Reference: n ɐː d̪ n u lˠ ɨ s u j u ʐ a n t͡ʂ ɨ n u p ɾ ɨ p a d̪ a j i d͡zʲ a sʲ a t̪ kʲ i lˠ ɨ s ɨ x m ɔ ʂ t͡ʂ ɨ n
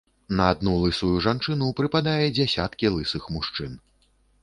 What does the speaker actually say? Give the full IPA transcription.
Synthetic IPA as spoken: n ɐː d̪ n u lˠ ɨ s u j u ʐ a n t͡ʂ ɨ n u p ɾ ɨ p a d̪ a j ɛ d͡zʲ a sʲ a t̪ kʲ i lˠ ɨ s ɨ x m u ʂ t͡ʂ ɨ n